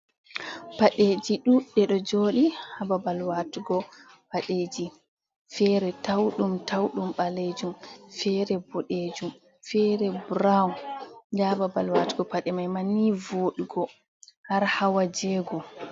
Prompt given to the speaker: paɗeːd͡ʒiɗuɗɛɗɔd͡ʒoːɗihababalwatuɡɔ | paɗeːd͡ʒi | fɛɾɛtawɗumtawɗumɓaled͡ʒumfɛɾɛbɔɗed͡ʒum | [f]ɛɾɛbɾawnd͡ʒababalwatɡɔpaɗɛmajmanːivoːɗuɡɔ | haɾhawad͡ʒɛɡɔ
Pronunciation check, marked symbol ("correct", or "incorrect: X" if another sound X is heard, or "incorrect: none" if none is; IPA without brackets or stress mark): correct